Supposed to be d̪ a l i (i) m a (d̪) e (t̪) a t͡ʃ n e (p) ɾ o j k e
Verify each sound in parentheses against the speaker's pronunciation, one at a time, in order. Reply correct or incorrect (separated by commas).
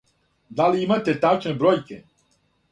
correct, incorrect, correct, incorrect